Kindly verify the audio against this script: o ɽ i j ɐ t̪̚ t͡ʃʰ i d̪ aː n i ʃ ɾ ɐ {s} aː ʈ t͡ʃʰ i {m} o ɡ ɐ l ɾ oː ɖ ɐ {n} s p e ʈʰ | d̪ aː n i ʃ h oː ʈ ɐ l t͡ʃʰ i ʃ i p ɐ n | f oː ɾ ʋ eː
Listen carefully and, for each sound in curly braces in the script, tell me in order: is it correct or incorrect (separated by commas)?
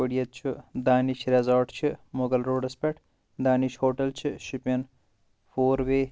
incorrect, correct, incorrect